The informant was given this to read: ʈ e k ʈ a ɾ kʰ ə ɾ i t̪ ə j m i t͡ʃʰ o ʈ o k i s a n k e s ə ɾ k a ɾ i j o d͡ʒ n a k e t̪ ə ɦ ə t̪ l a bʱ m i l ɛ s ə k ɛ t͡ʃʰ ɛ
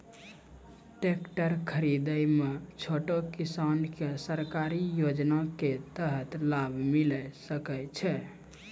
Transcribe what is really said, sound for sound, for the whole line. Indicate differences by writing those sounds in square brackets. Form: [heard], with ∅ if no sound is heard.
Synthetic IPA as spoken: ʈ e k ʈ [ə] ɾ kʰ ə ɾ i [d̪] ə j m [e] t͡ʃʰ o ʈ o k i s a n k e s ə ɾ k a ɾ i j o d͡ʒ n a k e t̪ ə ɦ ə t̪ l a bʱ m i l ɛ s ə k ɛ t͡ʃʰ ɛ